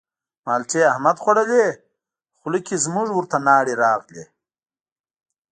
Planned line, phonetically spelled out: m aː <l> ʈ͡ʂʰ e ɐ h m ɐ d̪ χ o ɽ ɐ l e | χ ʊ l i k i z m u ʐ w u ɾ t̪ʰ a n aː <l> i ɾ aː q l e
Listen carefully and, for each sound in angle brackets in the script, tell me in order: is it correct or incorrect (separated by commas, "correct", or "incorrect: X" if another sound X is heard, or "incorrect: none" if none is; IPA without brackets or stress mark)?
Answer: correct, incorrect: ɽ